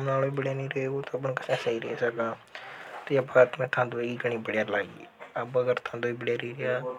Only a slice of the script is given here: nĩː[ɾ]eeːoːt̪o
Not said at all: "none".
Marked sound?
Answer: ɾ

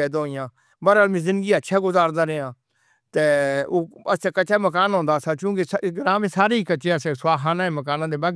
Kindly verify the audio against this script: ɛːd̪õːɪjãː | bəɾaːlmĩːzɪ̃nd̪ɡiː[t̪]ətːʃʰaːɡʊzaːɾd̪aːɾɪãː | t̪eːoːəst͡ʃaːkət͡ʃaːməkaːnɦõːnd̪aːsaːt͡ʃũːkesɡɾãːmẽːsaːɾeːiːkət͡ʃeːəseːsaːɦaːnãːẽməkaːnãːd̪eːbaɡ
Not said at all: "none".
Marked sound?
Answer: none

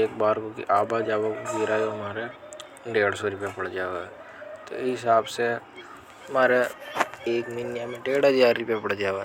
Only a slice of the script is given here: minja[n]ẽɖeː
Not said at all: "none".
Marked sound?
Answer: m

